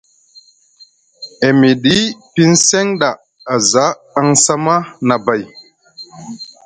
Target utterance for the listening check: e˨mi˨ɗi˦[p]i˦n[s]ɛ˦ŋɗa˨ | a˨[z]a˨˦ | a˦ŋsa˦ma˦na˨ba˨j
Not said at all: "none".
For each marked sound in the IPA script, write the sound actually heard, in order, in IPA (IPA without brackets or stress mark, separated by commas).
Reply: p, s, z